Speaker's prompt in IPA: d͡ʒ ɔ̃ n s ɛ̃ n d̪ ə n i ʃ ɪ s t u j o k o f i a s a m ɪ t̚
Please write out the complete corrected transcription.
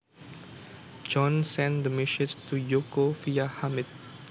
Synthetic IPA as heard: d͡ʒ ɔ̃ n s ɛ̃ n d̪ ə m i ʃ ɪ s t u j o k o f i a h a m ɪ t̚